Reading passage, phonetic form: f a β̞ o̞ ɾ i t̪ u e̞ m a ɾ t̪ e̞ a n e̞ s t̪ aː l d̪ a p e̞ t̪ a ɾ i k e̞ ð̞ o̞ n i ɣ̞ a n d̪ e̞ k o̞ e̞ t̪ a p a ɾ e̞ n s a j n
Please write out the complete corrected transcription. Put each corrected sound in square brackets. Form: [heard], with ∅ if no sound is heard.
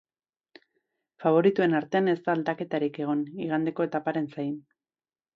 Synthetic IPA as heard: f a β̞ o̞ ɾ i t̪ u e̞ [n] a ɾ t̪ e̞ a n e̞ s t̪ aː l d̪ a [k] e̞ t̪ a ɾ i k e̞ [ɣ̞] o̞ n i ɣ̞ a n d̪ e̞ k o̞ e̞ t̪ a p a ɾ e̞ n s a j n